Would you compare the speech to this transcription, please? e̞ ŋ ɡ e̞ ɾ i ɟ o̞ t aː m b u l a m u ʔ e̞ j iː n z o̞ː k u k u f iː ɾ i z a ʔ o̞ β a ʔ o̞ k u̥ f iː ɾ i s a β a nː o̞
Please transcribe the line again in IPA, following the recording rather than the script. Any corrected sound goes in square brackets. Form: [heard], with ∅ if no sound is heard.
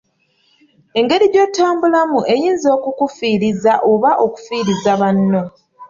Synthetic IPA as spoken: e̞ ŋ ɡ e̞ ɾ i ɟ o̞ t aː m b u l a m u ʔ e̞ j iː n z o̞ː k u k u f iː ɾ i z a ʔ o̞ β a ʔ o̞ k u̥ f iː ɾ i [z] a β a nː o̞